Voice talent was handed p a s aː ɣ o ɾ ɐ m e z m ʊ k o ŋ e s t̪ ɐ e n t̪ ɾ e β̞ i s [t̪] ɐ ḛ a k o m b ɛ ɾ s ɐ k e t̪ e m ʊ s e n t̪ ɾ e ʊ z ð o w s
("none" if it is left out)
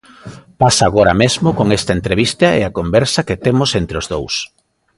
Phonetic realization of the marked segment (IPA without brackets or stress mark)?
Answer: t̪